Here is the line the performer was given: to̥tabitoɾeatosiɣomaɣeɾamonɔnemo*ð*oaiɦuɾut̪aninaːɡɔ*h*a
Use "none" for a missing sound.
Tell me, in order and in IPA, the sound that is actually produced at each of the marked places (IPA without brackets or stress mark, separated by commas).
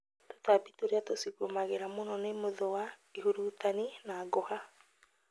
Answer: ð, h